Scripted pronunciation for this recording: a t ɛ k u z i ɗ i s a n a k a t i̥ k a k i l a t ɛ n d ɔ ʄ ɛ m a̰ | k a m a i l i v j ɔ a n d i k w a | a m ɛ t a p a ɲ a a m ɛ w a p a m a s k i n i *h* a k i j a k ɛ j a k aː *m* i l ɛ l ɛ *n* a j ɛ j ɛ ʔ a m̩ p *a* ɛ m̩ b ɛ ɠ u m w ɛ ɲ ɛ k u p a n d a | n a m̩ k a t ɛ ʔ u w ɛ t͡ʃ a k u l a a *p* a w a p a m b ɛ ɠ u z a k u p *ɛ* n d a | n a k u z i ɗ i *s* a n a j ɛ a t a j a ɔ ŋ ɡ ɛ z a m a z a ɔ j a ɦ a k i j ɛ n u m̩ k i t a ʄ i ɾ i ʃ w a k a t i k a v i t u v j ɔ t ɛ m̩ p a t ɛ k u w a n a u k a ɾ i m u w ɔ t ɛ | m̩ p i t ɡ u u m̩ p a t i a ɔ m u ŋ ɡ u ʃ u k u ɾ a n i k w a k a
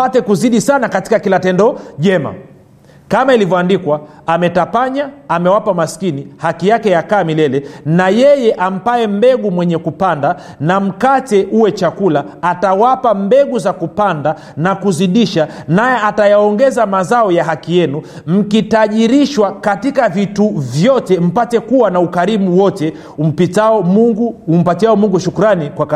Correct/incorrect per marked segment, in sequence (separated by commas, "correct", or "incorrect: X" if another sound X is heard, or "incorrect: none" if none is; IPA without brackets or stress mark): correct, correct, correct, correct, incorrect: t, incorrect: a, incorrect: ʃ